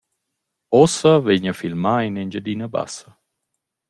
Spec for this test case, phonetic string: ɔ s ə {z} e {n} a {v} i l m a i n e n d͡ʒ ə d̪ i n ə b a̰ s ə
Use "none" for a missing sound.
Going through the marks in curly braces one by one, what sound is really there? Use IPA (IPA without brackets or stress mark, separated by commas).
v, ɲ, f